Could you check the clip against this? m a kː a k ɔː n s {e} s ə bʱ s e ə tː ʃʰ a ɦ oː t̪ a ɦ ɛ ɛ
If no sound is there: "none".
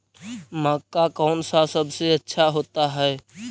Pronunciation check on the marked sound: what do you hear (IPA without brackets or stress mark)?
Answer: a